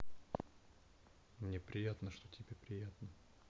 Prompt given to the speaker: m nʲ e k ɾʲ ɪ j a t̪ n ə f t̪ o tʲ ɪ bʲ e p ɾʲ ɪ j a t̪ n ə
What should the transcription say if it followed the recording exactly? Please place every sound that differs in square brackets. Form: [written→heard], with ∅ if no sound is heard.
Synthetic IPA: m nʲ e [k→p] ɾʲ ɪ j a t̪ n ə [f→ʂ] t̪ o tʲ ɪ bʲ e p ɾʲ ɪ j a t̪ n ə